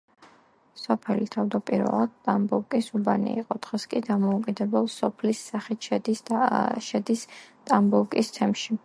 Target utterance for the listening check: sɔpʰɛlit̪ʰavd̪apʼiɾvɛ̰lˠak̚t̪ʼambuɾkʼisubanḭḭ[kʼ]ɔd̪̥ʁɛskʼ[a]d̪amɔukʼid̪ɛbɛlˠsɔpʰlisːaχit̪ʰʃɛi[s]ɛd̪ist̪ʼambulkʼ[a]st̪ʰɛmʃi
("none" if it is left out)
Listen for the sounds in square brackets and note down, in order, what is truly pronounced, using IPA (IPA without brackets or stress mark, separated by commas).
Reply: qʼ, i, ʃ, i